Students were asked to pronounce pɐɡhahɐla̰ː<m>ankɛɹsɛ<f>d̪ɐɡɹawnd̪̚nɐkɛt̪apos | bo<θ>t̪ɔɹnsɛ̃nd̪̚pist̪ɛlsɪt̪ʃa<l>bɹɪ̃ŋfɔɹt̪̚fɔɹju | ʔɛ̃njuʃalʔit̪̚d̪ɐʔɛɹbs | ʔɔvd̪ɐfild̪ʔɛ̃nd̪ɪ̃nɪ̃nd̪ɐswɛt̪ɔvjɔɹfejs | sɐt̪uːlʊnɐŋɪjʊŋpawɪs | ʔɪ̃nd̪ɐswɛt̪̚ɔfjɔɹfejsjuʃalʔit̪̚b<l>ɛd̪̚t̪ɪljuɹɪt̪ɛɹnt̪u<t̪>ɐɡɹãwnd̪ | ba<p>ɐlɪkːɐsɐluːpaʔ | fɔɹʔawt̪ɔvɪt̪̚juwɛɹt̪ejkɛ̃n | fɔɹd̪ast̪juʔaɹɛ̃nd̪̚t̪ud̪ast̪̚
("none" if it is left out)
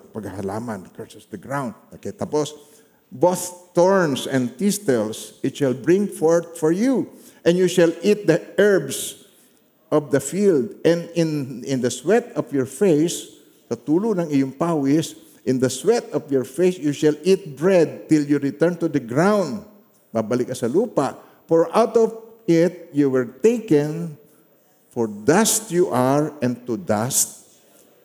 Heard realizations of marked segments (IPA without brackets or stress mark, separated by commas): m, s, θ, l, ɹ, d̪, b